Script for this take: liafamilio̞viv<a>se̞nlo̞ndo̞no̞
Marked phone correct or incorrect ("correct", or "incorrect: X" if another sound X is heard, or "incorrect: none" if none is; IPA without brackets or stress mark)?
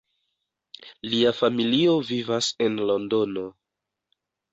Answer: correct